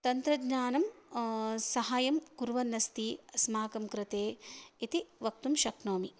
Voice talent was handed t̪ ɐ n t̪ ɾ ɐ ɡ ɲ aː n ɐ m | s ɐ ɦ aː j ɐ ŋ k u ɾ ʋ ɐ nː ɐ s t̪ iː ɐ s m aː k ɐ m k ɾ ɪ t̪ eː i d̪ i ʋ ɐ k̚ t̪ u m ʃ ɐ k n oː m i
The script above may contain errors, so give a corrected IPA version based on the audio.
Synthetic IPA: t̪ ɐ n t̪ ɾ ɐ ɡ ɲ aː n ɐ m | s ɐ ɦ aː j ɐ m k u ɾ ʋ ɐ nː ɐ s t̪ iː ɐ s m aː k ɐ m k ɾ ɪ t̪ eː i t̪ i ʋ ɐ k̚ t̪ u m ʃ ɐ k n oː m i